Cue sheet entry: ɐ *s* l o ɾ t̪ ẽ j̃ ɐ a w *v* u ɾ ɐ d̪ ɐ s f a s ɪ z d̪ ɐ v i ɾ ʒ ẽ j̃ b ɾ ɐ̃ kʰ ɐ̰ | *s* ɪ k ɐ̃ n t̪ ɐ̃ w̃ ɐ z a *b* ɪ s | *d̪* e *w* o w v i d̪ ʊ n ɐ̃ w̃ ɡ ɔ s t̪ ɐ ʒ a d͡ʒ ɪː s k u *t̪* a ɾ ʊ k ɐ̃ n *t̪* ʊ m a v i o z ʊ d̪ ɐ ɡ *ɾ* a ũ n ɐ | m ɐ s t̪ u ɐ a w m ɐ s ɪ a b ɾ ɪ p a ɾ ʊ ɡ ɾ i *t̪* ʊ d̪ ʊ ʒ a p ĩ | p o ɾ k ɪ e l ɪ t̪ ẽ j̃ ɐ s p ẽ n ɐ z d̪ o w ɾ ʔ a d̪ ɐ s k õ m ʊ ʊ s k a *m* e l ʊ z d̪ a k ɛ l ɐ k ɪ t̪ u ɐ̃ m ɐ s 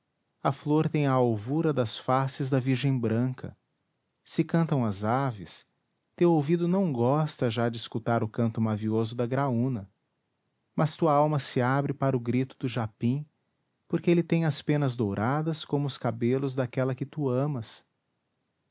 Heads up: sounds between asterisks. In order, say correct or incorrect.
incorrect, correct, correct, incorrect, incorrect, correct, correct, correct, correct, correct, incorrect

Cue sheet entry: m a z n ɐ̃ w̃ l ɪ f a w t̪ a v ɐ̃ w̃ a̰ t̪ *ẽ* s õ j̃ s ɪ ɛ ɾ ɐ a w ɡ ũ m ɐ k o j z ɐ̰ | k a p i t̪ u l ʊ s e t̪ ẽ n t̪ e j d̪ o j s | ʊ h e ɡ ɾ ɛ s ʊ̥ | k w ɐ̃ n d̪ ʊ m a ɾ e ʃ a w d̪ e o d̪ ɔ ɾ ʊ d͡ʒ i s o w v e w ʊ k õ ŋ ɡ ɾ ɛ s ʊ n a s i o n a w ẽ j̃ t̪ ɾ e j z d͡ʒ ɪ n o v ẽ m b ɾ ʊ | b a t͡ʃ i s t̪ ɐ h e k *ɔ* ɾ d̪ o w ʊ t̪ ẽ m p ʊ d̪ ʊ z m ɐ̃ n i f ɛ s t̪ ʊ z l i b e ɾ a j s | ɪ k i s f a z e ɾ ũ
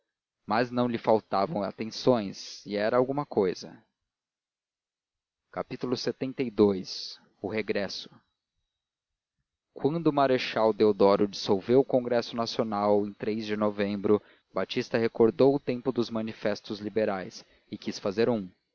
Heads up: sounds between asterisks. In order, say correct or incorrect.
correct, incorrect

